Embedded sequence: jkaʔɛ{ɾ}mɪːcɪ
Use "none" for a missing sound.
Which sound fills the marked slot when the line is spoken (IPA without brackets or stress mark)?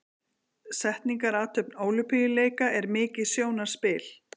ɾ